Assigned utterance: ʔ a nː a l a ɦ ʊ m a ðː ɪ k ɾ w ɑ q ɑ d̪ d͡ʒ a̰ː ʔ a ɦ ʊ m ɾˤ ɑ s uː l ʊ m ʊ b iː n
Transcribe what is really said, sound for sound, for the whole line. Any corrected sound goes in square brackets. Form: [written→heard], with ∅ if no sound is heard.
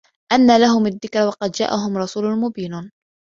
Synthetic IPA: ʔ a nː a l a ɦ ʊ m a ðː ɪ k ɾ w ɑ q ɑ d̪ d͡ʒ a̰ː ʔ a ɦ ʊ m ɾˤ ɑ s uː l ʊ m ʊ b iː n